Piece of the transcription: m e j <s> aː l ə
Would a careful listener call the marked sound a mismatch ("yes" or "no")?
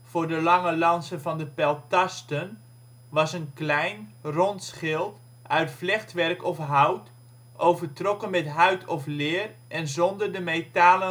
yes